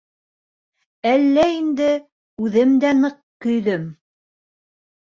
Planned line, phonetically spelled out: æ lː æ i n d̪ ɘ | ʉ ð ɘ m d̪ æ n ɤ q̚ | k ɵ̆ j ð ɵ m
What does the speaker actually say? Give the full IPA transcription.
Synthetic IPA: æ lː æ i n d̪ ɘ | ʉ ð ɘ m d̪ æ n ɤ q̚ | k ɵ̆ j ð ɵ m